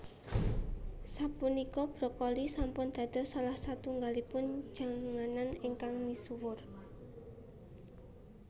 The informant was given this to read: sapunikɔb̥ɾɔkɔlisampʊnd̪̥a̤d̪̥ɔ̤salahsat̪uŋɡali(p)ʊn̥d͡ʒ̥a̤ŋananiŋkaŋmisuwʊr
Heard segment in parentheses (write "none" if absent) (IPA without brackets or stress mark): p